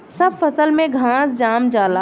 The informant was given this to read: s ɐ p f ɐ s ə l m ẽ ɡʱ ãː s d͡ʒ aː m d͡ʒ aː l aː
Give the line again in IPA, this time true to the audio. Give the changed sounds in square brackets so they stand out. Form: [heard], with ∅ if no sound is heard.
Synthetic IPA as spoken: s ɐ [b] f ɐ s ə l m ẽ ɡʱ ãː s d͡ʒ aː m d͡ʒ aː l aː